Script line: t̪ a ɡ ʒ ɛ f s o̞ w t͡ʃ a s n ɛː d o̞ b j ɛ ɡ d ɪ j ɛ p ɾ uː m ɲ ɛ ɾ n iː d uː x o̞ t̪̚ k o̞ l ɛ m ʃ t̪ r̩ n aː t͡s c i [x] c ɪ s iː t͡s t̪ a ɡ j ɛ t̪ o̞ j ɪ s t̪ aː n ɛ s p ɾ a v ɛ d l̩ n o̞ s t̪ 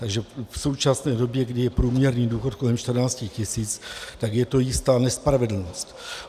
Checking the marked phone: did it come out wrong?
no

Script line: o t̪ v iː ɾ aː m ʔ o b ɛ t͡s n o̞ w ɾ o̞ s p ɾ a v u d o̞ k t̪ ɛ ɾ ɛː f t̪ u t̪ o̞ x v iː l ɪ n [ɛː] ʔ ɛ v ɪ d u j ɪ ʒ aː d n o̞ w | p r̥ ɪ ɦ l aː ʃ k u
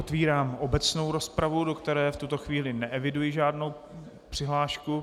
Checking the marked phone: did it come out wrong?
yes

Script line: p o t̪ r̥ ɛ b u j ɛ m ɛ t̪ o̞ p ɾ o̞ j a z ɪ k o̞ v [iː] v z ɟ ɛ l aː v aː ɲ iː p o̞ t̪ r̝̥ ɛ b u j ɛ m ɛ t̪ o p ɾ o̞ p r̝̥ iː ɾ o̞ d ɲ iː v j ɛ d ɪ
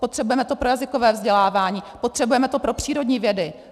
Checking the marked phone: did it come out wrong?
yes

